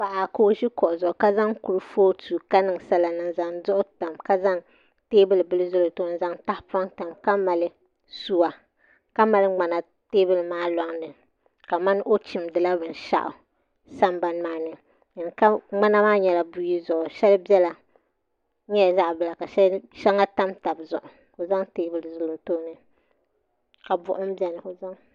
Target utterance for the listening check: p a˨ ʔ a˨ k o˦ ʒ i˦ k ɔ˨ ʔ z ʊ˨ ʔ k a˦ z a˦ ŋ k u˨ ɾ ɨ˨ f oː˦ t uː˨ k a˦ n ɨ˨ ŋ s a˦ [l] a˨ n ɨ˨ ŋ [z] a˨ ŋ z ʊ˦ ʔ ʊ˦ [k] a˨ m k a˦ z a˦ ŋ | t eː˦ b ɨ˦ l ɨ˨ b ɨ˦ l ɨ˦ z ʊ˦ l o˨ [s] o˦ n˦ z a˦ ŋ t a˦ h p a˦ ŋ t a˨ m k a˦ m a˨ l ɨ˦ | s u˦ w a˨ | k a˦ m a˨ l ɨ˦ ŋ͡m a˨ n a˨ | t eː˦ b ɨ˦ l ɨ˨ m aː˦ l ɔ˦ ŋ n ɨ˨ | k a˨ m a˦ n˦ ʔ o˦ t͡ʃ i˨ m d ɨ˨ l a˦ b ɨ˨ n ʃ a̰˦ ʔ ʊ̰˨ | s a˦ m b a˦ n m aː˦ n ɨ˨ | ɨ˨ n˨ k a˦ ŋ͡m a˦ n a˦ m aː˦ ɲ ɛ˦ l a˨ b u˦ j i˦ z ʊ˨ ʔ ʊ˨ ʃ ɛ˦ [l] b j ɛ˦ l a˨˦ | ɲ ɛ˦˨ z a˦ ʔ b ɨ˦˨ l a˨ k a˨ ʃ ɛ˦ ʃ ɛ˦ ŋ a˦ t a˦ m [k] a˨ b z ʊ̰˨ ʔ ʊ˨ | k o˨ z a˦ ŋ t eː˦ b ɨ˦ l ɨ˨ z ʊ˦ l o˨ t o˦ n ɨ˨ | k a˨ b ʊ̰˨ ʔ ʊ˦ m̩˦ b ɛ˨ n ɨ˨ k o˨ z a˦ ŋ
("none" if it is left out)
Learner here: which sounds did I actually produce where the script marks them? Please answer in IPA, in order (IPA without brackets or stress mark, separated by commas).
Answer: l, z, t, t, l, t